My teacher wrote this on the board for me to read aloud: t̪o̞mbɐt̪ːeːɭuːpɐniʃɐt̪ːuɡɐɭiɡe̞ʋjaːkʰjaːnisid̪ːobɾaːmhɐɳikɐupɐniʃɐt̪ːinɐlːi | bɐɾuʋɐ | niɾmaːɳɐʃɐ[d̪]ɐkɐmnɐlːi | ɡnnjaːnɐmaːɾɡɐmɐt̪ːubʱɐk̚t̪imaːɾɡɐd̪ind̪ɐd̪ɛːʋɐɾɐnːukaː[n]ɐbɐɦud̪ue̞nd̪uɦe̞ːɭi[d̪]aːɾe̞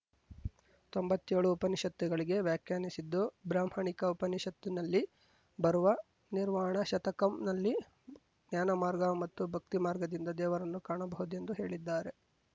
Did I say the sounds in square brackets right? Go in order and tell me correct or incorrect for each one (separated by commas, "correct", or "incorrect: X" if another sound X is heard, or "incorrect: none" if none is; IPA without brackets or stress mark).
incorrect: t̪, incorrect: ɳ, incorrect: d̪ː